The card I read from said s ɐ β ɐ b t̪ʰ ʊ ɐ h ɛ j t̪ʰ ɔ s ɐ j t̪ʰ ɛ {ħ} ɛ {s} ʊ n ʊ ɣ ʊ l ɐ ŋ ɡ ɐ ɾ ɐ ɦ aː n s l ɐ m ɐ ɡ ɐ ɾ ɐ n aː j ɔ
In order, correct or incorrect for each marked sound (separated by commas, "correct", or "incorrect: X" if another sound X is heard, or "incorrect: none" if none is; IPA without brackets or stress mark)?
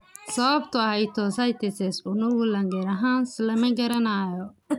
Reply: incorrect: s, correct